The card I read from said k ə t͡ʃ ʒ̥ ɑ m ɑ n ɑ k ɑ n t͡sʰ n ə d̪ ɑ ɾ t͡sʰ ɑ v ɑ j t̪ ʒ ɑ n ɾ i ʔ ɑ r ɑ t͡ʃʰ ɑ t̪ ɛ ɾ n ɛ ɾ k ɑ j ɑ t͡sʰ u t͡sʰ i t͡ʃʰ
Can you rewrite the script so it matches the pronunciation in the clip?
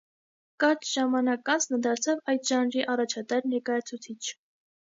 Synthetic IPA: k ɑ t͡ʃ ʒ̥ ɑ m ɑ n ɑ k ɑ n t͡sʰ n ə d̪ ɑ ɾ t͡sʰ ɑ v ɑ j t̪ ʒ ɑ n ɾ i ʔ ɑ r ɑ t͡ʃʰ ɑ t̪ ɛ ɾ n ɛ ɾ k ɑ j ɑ t͡sʰ u t͡sʰ i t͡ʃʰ

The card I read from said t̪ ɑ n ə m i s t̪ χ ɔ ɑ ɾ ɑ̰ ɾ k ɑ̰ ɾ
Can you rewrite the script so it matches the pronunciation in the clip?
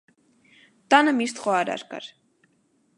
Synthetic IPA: t̪ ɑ n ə m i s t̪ χ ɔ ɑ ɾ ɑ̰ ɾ k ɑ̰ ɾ

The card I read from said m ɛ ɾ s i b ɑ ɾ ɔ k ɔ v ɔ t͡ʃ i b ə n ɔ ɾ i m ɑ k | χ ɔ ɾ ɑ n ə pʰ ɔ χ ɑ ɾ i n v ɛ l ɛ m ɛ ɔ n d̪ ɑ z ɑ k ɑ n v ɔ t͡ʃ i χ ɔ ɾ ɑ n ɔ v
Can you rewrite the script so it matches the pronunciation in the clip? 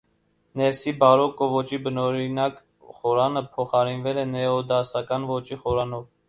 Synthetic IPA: n ɛ ɾ s i b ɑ ɾ ɔ k ɔ v ɔ t͡ʃ i b ə n ɔ ɾ i n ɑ k | χ ɔ ɾ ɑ n ə pʰ ɔ χ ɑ ɾ i n v ɛ l ɛ n ɛ ɔ d̪ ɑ s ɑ k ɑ n v ɔ t͡ʃ i χ ɔ ɾ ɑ n ɔ v

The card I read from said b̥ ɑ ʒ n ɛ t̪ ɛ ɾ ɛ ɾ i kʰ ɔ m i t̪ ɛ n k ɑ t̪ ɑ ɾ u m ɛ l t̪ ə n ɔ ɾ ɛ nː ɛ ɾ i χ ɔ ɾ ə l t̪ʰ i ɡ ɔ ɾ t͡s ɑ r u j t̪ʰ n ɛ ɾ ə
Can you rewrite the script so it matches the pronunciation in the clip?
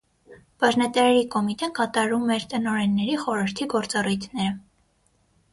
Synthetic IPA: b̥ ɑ ʒ n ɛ t̪ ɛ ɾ ɛ ɾ i k ɔ m i t̪ ɛ n k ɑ t̪ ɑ ɾ u m ɛ ɾ t̪ ə n ɔ ɾ ɛ nː ɛ ɾ i χ ɔ ɾ ə ɾ t̪ʰ i ɡ ɔ ɾ t͡s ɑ r u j t̪ʰ n ɛ ɾ ə

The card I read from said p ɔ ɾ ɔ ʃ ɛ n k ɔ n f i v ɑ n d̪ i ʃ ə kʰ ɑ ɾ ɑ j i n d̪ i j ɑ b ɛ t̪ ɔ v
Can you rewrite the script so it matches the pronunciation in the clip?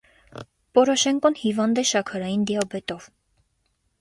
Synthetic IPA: p ɔ ɾ ɔ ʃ ɛ ŋ k ɔ n h i v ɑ n d̪ ɛ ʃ ɑ kʰ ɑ ɾ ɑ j i n d̪ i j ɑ b ɛ t̪ ɔ v

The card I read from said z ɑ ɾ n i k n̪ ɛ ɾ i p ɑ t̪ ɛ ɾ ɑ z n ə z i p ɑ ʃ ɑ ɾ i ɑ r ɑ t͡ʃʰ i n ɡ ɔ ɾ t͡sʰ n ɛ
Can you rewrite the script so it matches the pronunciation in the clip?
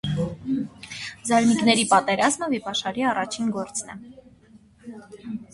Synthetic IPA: z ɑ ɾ n i k n̪ ɛ ɾ i p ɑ t̪ ɛ ɾ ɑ z m ə v i p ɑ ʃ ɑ ɾ i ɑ r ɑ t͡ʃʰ i n ɡ ɔ ɾ t͡s n ɛ

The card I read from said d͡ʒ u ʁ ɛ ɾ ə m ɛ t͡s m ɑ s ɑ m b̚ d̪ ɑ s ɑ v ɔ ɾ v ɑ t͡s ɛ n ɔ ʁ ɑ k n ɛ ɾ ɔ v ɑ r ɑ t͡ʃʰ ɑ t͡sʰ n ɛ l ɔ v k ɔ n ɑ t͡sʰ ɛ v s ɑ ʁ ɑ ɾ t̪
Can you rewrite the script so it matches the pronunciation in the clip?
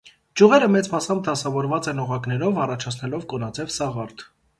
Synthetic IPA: d͡ʒ u ʁ ɛ ɾ ə m ɛ t͡s m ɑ s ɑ m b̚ d̪ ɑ s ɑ v ɔ ɾ v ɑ t͡s ɛ n ɔ ʁ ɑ k n ɛ ɾ ɔ v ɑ r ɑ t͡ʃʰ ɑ t͡sʰ n ɛ l ɔ v k ɔ n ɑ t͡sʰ ɛ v s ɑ ʁ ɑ ɾ t̪

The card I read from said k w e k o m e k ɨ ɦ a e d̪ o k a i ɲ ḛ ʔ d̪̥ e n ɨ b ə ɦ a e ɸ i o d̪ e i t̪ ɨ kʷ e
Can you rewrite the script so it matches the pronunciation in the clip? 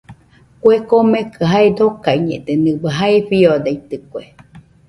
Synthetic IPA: k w e k o m e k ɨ ɦ a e d̪ o k a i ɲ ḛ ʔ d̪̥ e n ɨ b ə ɦ a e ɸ i o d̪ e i t̪ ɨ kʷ e

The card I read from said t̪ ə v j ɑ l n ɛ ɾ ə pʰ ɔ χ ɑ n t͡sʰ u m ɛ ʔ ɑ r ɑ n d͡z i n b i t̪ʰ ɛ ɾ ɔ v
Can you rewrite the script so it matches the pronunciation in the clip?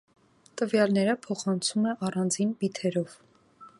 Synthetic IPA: t̪ ə v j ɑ l n ɛ ɾ ə pʰ ɔ χ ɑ n t͡sʰ u m ɛ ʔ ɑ r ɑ n d͡z i n b i t̪ʰ ɛ ɾ ɔ v

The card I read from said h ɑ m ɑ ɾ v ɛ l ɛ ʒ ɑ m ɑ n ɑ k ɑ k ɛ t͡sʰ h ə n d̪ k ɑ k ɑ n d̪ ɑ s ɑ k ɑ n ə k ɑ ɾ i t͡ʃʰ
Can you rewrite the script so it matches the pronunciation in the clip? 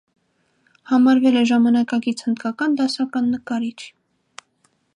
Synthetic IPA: h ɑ m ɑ ɾ v ɛ l ɛ ʒ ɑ m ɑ n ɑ k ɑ k i t͡sʰ h ə n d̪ k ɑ k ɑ n d̪ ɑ s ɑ k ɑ nː ə k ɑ ɾ i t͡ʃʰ

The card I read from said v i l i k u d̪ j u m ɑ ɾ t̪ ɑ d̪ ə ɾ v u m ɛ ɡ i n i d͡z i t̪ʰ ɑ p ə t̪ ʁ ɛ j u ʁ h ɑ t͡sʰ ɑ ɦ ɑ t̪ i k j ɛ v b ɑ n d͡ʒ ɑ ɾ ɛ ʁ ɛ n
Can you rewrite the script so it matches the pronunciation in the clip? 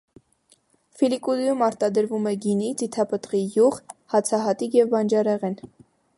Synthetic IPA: f i l i k u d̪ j u m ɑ ɾ t̪ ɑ d̪ ə ɾ v u m ɛ ɡ i n i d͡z i t̪ʰ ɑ p ə t̪ ʁ i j u ʁ h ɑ t͡sʰ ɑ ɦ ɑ t̪ i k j ɛ v b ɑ n d͡ʒ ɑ ɾ ɛ ʁ ɛ n

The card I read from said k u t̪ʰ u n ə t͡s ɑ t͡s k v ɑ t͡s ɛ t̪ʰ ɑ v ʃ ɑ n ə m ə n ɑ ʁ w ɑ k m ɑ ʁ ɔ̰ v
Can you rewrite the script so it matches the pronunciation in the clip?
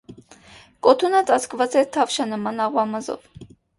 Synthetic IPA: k ɔ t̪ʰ u n ə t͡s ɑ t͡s k v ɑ t͡s ɛ t̪ʰ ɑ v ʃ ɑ n ə m ɑ n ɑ ʁ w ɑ m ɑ z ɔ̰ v

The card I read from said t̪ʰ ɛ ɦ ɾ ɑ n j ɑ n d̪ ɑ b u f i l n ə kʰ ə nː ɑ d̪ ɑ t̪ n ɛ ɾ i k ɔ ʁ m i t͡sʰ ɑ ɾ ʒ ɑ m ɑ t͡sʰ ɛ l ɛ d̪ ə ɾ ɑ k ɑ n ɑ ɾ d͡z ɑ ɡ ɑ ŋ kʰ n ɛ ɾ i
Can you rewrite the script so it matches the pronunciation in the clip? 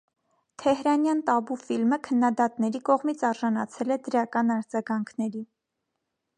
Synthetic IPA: t̪ʰ ɛ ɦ ɾ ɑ n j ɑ n t̪ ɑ b u f i l m ə kʰ ə nː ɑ d̪ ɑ t̪ n ɛ ɾ i k ɔ ʁ m i t͡sʰ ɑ ɾ ʒ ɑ n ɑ t͡sʰ ɛ l ɛ d̪ ə ɾ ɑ k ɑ n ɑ ɾ d͡z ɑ ɡ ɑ ŋ kʰ n ɛ ɾ i

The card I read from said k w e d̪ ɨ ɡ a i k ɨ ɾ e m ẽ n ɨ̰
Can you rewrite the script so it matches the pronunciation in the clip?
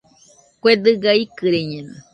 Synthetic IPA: k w e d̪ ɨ ɡ a i k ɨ ɾ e ɲ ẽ n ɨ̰

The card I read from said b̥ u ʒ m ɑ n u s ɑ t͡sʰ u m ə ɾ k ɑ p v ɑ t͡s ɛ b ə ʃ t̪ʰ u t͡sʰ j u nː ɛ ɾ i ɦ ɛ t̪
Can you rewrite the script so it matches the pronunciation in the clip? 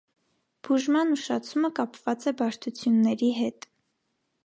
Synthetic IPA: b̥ u ʒ m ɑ n u ʃ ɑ t͡sʰ u m ə k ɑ p v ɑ t͡s ɛ b ɑ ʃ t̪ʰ u t͡sʰ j u nː ɛ ɾ i ɦ ɛ t̪

